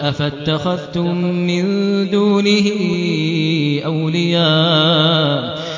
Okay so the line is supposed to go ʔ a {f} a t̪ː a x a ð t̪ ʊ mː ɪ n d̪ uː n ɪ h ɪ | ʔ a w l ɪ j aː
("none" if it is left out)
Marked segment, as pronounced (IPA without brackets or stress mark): f